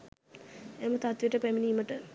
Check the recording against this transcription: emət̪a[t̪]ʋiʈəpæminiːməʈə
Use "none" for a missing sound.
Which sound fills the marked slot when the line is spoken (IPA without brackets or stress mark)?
t̪